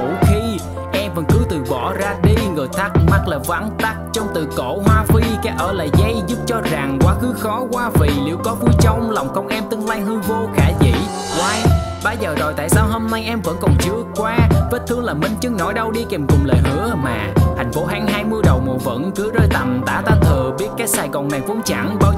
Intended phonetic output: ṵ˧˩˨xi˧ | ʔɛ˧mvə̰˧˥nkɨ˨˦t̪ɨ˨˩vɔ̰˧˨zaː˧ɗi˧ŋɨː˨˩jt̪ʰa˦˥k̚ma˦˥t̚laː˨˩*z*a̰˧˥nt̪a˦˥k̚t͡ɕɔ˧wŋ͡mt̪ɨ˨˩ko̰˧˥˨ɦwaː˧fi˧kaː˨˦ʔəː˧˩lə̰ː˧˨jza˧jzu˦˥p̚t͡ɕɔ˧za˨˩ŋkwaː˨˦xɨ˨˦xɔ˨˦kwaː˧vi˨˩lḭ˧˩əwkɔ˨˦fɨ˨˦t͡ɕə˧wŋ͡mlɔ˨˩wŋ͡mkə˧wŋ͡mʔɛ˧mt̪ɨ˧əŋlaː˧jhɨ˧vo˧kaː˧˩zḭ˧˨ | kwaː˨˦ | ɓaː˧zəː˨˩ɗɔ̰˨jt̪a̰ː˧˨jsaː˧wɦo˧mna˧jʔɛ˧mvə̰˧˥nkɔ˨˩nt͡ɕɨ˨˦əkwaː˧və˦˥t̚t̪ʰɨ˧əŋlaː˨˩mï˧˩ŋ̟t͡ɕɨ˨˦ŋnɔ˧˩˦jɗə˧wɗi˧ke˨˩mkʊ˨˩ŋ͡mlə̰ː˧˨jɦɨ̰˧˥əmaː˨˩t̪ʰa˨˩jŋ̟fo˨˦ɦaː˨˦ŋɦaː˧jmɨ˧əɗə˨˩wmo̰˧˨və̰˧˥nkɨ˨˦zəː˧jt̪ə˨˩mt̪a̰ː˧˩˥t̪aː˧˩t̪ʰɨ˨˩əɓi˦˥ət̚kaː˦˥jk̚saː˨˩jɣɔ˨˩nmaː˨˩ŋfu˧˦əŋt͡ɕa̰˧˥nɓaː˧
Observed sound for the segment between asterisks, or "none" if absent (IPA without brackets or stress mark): v